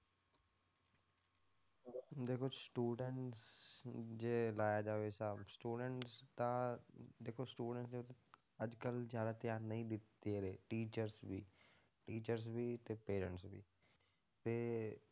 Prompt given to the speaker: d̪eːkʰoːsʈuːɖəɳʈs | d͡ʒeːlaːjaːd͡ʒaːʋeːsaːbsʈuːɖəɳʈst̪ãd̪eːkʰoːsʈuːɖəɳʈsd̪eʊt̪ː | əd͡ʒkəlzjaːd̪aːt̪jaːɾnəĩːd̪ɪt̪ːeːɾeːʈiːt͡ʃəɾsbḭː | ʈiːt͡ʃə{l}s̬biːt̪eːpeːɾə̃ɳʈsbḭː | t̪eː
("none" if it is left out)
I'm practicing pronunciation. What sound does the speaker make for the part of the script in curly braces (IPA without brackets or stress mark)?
ɾ